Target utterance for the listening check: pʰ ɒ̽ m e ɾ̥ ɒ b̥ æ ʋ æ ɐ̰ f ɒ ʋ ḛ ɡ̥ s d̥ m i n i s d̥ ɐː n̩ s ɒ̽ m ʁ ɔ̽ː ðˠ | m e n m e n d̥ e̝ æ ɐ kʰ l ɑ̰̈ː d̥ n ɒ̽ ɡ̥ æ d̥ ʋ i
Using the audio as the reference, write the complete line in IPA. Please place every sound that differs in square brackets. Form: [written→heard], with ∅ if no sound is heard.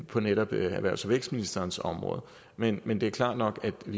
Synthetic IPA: pʰ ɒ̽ [m→n] e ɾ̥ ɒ b̥ æ ʋ æ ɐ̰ [f→s] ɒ ʋ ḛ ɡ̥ s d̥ m i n i s d̥ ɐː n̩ s ɒ̽ m ʁ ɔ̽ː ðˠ | m e n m e n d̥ e̝ æ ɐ kʰ l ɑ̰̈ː d̥ n ɒ̽ ɡ̥ æ d̥ ʋ i